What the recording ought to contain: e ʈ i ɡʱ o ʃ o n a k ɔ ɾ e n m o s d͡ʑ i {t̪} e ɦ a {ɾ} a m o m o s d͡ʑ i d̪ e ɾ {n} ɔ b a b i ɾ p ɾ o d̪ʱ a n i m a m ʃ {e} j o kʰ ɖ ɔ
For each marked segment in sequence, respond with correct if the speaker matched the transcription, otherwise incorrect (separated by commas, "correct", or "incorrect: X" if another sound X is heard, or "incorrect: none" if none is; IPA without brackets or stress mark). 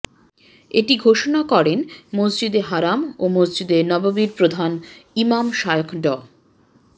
incorrect: d̪, correct, correct, incorrect: a